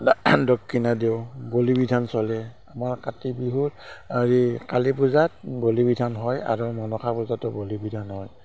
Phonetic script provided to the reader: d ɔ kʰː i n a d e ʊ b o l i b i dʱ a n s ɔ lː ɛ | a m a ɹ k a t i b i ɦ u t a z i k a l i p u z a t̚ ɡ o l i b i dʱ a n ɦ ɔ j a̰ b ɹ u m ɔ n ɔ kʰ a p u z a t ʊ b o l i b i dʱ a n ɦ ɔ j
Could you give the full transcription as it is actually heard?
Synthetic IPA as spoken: d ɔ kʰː i n a d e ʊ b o l i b i dʱ a n s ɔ l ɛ | a m a ɹ k a t i b i ɦ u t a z i k a l i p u z a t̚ b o l i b i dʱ a n ɦ ɔ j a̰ ɹ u m ɔ n ɔ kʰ a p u z a t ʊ b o l i b i dʱ a n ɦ ɔ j

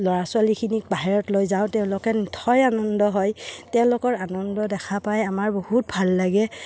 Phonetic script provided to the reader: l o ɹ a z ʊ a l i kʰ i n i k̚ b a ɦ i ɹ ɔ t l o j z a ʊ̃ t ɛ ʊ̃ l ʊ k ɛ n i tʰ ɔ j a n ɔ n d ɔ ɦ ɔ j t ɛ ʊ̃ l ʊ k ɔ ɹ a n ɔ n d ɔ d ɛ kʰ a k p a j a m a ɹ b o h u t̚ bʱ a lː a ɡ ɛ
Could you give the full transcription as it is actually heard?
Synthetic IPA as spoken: l ɔ ɹ a s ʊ a l i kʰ i n i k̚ b a ɦ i ɹ ɔ t l o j z a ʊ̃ t ɛ ʊ̃ l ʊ k ɛ n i tʰ ɔ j a n ɔ n d ɔ ɦ ɔ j t ɛ ʊ̃ l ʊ k ɔ ɹ a n ɔ n d ɔ d ɛ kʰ a p a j a m a ɹ b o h u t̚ bʱ a lː a ɡ ɛ

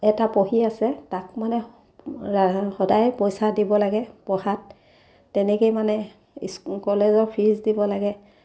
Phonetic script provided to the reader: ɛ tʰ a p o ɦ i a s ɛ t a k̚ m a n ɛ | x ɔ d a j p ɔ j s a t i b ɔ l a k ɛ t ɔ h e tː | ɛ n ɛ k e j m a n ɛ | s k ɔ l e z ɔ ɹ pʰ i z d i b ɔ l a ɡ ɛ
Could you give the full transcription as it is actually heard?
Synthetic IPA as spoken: ɛ t a p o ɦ i a s ɛ t a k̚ m a n ɛ | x ɔ d a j p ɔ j s a d i b ɔ l a ɡ ɛ p ɔ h a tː | ɛ n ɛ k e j m a n ɛ | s k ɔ l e z ɔ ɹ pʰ i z d i b ɔ l a ɡ ɛ

